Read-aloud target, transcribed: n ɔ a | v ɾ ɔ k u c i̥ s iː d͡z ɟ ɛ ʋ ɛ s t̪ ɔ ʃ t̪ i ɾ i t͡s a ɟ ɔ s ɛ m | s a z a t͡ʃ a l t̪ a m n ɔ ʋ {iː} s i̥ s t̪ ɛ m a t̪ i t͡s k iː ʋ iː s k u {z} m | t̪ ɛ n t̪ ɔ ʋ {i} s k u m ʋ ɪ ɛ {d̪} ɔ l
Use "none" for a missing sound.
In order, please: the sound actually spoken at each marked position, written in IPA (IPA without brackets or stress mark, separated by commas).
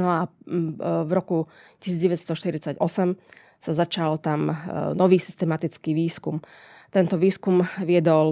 iː, none, iː, d̪